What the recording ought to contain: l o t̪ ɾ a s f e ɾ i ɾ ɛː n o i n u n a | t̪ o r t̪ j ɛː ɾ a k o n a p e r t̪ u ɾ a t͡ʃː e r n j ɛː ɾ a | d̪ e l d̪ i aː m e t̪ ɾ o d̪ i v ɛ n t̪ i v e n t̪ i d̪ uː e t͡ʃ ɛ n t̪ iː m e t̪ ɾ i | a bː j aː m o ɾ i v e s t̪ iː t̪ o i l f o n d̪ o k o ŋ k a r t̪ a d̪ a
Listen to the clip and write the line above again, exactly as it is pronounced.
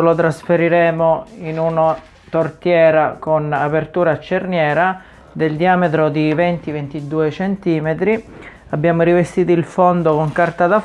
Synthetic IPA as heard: l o t̪ ɾ a s f e ɾ i ɾ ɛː m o i n u n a | t̪ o r t̪ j ɛː ɾ a k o n a p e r t̪ uː ɾ a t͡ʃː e r n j ɛː ɾ a | d̪ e l d̪ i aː m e t̪ ɾ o d̪ i v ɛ n t̪ i v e n t̪ i d̪ uː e t͡ʃ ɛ n t̪ iː m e t̪ ɾ i | a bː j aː m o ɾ i v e s t̪ iː t̪ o i l f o n d̪ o k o ŋ k a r t̪ a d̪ a